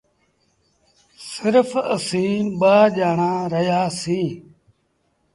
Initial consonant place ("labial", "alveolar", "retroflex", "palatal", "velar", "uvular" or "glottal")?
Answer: alveolar